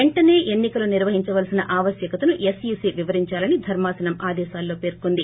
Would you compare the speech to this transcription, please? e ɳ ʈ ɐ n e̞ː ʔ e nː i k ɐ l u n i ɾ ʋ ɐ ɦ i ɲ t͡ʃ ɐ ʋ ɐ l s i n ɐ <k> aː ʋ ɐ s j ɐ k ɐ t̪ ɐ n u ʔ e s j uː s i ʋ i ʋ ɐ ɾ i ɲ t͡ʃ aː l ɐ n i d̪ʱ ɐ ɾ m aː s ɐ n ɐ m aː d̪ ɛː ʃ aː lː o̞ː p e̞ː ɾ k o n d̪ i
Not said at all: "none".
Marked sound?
ʔ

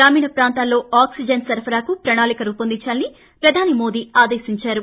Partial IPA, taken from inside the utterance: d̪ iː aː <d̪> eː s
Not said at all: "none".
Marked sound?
d̪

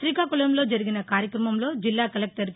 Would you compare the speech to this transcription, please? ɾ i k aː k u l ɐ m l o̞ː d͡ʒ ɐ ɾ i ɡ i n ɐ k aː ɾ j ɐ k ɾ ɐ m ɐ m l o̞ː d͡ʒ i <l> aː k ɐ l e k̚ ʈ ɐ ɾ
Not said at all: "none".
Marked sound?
lː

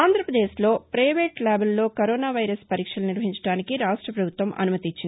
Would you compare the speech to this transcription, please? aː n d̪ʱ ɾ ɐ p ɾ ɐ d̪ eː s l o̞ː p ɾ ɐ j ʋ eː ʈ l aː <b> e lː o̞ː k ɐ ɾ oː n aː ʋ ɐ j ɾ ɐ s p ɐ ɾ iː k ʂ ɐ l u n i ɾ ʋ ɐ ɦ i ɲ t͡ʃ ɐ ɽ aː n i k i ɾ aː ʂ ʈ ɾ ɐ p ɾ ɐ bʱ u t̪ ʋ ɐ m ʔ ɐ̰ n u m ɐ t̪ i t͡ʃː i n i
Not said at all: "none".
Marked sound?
b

